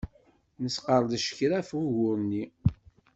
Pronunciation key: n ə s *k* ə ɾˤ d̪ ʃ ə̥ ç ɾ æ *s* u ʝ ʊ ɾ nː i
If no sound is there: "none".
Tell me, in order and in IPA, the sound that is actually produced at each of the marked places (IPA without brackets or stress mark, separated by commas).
q, f